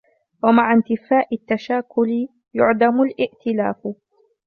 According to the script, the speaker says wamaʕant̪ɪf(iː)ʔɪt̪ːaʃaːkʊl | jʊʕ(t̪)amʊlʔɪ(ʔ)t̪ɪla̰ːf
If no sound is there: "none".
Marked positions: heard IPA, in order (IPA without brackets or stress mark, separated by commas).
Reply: aː, d̪, ʔ